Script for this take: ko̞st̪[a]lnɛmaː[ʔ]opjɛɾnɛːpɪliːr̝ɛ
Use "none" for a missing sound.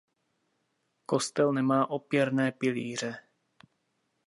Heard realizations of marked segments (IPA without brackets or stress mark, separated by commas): ɛ, ʔ